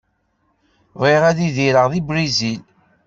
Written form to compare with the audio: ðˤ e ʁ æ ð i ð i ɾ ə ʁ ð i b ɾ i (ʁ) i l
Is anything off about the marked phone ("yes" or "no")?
yes